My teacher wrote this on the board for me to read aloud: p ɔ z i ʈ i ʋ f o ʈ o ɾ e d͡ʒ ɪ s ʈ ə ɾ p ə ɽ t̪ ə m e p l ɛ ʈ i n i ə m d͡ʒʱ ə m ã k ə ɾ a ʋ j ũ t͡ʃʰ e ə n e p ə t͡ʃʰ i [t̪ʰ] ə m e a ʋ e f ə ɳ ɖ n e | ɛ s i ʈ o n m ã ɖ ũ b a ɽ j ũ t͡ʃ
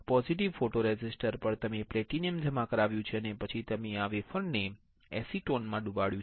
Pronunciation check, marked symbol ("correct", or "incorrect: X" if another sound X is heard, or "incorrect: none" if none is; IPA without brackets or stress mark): incorrect: t̪